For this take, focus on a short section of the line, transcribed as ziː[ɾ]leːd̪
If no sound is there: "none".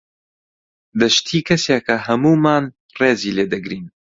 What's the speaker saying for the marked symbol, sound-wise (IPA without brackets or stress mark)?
none